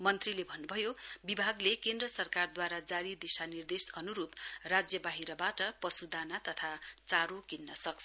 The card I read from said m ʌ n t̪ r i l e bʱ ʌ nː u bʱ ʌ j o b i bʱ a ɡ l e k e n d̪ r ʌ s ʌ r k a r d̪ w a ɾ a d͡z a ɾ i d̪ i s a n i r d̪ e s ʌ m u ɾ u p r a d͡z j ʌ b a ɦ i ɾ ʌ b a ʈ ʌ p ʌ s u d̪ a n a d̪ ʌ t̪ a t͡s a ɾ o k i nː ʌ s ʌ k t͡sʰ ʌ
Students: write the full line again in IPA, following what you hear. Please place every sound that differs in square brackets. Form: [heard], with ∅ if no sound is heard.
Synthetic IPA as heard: m ʌ n t̪ r i l e bʱ ʌ nː u bʱ ʌ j o b i bʱ a ɡ l e k e n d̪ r ʌ s ʌ r k a r d̪ w a ɾ a d͡z a ɾ i d̪ i s a n i r d̪ e s ʌ [n] u ɾ u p r a d͡z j ʌ b a ɦ i ɾ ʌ b a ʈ ʌ p ʌ s u d̪ a n a [t̪] ʌ [t̪ʰ] a t͡s a ɾ o k i nː ʌ s ʌ k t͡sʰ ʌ

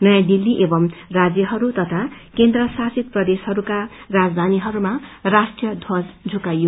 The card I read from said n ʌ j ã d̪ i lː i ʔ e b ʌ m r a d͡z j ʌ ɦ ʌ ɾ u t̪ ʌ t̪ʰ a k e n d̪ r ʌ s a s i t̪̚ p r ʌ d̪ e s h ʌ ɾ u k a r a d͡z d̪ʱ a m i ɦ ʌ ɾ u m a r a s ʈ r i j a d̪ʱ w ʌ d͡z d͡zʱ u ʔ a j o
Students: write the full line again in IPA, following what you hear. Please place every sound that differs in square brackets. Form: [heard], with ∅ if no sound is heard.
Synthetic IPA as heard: n ʌ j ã d̪ i lː i ʔ e b ʌ m r a d͡z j ʌ ɦ ʌ ɾ u t̪ ʌ t̪ʰ a k e n d̪ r ʌ s a s i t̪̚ p r ʌ d̪ e s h ʌ ɾ u k a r a d͡z d̪ʱ a [n] i ɦ ʌ ɾ u m a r a s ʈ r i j [ʌ] d̪ʱ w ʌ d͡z d͡zʱ u [k] a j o

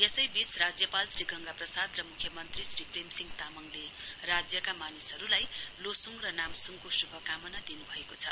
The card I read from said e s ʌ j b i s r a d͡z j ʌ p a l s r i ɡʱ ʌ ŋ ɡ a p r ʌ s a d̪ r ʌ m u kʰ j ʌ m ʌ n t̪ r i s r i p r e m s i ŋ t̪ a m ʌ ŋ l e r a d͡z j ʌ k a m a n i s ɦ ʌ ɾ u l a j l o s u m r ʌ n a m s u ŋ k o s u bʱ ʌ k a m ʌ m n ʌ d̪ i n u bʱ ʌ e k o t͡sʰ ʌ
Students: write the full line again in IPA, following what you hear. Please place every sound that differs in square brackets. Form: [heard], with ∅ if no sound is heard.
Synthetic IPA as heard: e s ʌ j b i [t͡s] r a d͡z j ʌ p a l s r i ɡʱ ʌ ŋ ɡ a p r ʌ s a d̪ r ʌ m u kʰ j ʌ m ʌ n t̪ r i s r i p r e m s i ŋ t̪ a m ʌ ŋ l e r a d͡z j ʌ k a m a n i s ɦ ʌ ɾ u l a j l o s u [ŋ] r ʌ n a m s u ŋ k o s u bʱ ʌ k a m ʌ [∅] n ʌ d̪ i n u bʱ ʌ e k o t͡sʰ ʌ

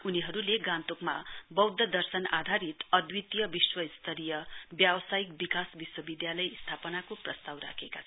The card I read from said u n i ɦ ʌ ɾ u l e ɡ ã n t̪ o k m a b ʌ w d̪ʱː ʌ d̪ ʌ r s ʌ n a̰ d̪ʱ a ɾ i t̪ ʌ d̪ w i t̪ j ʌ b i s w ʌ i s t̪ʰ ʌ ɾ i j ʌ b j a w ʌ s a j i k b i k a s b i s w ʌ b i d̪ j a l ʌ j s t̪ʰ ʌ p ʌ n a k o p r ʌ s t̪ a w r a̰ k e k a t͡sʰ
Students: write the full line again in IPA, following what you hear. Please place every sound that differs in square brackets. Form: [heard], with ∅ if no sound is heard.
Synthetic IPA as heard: u n i ɦ ʌ ɾ u l e ɡ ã n t̪ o k m a b ʌ w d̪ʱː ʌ d̪ ʌ r s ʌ n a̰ d̪ʱ a ɾ i t̪ ʌ d̪ w i t̪ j ʌ b i s w ʌ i s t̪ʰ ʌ ɾ i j ʌ b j a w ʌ s a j i k b i k a s b i s w ʌ b i d̪ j a l ʌ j s t̪ʰ [a] p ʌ n a k o p r ʌ s t̪ a w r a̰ [kʰ] e k a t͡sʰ

